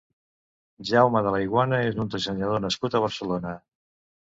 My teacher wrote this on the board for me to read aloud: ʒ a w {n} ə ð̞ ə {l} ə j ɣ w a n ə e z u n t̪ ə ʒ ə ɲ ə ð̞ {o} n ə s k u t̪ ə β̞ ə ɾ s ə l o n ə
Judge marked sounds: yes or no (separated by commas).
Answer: no, yes, yes